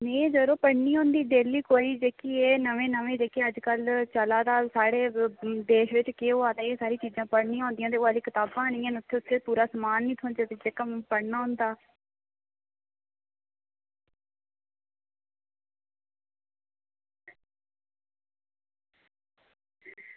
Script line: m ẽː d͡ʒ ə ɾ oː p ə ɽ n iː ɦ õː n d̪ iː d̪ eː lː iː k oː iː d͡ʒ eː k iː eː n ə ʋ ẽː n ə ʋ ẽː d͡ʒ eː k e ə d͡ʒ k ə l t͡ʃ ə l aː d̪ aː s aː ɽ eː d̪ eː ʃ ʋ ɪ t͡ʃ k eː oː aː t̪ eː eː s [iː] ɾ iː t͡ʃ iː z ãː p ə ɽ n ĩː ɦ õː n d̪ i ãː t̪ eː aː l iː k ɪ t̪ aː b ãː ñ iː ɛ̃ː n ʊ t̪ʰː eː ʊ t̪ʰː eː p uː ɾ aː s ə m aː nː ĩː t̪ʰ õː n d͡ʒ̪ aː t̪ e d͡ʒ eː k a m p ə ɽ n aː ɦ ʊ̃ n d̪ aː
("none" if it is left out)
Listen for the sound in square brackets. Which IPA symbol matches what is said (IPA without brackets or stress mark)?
aː